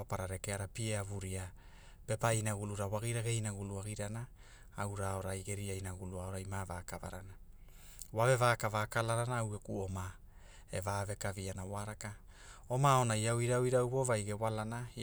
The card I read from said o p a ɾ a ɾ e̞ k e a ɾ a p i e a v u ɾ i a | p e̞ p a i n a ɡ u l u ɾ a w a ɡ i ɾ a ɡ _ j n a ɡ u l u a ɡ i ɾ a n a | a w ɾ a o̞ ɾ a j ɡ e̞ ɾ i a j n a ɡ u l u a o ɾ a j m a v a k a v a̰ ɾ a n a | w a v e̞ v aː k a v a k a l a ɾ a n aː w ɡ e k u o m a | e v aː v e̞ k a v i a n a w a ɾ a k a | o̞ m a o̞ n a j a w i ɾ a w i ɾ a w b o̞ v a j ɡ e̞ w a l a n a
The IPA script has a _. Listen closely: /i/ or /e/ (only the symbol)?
e